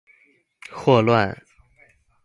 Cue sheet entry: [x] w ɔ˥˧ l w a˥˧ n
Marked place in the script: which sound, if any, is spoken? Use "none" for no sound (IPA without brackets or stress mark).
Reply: x